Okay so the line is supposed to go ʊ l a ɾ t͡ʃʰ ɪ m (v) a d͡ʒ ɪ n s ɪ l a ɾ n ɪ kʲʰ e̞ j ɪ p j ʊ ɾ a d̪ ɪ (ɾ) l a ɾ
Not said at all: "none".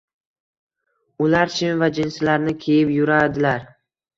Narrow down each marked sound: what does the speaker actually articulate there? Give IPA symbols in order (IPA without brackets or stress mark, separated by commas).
v, none